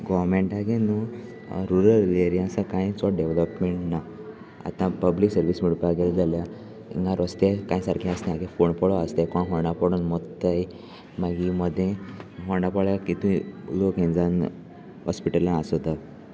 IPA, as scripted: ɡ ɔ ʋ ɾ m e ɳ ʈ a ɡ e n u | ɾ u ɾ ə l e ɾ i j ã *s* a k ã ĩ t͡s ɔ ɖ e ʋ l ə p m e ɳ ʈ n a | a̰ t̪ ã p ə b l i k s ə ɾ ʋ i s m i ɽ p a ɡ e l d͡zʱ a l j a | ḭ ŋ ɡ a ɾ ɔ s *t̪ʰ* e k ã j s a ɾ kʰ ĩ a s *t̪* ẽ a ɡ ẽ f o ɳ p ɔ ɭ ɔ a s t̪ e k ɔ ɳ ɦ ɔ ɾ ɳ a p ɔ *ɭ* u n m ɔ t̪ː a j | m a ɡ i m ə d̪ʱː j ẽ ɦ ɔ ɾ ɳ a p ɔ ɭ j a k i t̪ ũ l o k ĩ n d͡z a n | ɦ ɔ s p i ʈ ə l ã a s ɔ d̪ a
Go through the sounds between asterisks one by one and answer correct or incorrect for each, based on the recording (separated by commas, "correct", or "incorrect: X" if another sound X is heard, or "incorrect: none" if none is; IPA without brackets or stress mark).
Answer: correct, incorrect: t̪, correct, incorrect: ɽ